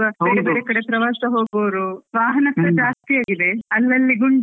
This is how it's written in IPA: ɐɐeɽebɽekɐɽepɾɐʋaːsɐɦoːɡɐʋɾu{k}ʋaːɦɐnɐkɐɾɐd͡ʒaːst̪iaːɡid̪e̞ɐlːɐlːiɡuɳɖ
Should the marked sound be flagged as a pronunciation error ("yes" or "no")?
yes